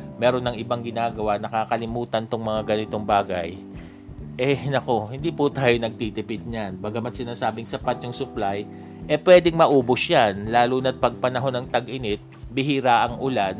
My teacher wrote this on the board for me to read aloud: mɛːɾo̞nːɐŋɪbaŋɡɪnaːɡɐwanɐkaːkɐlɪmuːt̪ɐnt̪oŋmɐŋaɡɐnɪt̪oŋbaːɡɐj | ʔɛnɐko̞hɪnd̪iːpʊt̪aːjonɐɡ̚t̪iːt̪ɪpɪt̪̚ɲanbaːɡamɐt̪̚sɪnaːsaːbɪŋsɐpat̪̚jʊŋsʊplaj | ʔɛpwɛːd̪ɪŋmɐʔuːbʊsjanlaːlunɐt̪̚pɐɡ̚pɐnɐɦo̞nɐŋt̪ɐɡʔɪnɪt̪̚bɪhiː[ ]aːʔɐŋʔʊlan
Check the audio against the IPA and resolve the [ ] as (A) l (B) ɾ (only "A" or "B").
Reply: B